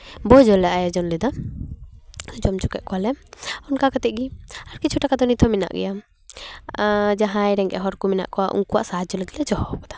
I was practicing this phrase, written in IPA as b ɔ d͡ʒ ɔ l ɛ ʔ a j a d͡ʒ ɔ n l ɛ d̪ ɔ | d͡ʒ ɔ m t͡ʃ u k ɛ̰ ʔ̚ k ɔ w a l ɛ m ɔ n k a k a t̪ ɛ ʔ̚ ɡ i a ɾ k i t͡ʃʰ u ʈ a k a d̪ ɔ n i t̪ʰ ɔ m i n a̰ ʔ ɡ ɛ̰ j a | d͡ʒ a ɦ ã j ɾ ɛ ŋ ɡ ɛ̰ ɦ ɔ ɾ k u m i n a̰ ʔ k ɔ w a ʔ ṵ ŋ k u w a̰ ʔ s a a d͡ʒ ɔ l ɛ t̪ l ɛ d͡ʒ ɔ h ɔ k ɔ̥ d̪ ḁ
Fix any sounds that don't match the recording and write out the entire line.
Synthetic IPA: b ɔ d͡ʒ ɔ l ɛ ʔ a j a d͡ʒ ɔ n l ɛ d̪ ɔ | d͡ʒ ɔ m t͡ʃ u k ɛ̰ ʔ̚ k ɔ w a l ɛ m ɔ n k a k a t̪ ɛ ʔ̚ ɡ i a ɾ k i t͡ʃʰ u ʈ a k a d̪ ɔ n i t̪ʰ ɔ m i n a̰ ʔ ɡ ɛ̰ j a | d͡ʒ a ɦ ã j ɾ ɛ ŋ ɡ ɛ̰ ɦ ɔ ɾ k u m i n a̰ ʔ k ɔ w a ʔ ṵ ŋ k u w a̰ ʔ s a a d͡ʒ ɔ l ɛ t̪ l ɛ d͡ʒ ɔ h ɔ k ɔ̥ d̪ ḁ